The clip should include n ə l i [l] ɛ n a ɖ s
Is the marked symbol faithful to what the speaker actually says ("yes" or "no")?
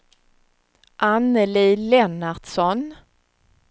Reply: yes